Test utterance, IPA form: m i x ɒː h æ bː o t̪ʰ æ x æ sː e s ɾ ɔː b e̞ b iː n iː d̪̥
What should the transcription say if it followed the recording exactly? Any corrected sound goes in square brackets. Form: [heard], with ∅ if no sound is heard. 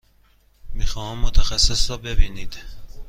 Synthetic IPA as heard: m i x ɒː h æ [mː] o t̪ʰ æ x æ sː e s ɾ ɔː b e̞ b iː n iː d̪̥